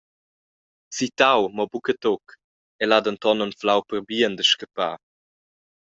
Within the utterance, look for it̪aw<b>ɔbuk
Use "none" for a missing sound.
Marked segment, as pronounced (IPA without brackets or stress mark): m